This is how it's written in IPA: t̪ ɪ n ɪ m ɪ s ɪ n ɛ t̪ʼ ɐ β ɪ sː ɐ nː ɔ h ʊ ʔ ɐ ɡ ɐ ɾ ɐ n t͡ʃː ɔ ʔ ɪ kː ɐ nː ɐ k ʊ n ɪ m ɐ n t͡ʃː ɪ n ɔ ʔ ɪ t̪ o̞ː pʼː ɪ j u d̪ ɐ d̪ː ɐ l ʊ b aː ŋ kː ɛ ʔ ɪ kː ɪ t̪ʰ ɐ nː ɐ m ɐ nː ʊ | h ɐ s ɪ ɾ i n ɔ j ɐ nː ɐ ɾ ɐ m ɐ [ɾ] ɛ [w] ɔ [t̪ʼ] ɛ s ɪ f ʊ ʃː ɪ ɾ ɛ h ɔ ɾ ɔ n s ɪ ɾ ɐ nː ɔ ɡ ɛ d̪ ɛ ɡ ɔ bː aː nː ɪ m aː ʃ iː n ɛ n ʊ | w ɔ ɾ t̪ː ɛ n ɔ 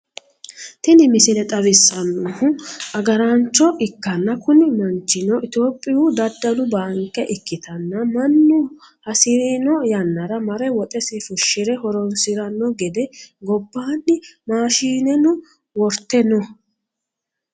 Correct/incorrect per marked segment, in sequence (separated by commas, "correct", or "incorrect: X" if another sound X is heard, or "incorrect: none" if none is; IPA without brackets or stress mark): correct, correct, correct